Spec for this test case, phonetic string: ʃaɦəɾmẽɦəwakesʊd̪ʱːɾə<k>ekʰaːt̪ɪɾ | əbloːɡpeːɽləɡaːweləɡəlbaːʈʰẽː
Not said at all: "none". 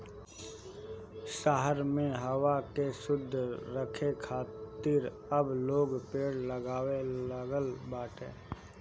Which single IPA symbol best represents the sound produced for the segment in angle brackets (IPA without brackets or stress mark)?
kʰ